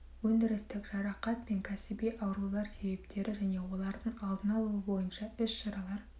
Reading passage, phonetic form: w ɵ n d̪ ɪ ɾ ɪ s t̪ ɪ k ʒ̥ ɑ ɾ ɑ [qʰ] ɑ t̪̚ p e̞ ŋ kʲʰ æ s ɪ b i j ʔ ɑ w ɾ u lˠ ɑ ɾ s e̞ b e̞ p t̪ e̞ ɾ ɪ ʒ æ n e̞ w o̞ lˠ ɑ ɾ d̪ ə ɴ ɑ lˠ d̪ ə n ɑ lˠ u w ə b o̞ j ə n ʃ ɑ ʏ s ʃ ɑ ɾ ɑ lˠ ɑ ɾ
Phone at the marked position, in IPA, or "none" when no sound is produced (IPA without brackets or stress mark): q